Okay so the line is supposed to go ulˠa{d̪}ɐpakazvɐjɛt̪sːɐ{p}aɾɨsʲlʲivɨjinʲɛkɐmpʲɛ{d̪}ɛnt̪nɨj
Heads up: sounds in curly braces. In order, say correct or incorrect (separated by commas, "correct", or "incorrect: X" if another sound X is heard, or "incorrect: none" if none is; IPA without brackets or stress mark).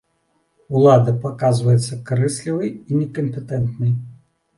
correct, incorrect: k, incorrect: t̪